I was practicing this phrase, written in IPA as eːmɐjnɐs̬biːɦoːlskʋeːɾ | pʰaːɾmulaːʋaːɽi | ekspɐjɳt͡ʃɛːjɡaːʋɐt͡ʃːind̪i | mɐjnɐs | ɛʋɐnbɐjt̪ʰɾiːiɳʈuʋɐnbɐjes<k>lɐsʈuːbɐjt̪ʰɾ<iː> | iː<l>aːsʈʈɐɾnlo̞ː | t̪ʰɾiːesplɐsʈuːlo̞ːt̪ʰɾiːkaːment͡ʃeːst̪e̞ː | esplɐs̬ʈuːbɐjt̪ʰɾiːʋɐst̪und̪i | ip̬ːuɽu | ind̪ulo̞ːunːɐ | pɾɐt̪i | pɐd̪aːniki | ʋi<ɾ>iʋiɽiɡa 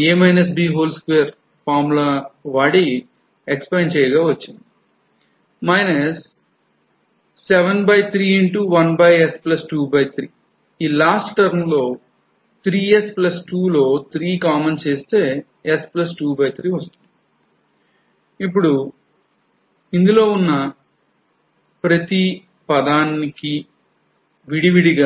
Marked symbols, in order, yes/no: no, yes, yes, no

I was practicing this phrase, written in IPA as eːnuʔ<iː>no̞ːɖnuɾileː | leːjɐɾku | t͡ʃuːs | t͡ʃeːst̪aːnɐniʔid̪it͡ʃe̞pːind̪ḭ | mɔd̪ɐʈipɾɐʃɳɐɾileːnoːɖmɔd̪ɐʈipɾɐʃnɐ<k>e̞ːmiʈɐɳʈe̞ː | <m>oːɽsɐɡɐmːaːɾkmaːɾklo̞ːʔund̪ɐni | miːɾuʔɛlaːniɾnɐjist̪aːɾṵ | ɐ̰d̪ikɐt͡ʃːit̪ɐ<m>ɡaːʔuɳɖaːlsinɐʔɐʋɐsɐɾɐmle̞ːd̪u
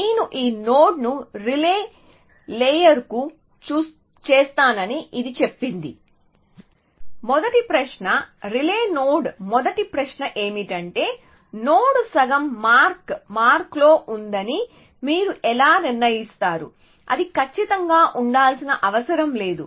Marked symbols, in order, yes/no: yes, no, no, no

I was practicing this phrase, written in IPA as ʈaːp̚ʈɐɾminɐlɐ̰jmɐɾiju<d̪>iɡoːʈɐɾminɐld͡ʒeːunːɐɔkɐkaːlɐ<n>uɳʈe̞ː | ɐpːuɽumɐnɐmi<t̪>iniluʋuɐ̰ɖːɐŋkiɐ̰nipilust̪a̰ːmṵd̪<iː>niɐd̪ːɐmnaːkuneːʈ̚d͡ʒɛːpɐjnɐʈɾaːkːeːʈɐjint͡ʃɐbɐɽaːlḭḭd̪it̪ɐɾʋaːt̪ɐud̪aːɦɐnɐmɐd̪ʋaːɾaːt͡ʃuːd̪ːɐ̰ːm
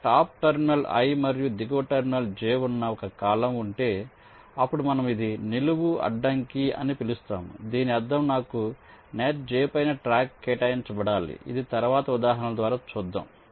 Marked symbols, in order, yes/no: yes, no, no, yes

